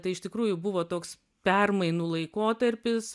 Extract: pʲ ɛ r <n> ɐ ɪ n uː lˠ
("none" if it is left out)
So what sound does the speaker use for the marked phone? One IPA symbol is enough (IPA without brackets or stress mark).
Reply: m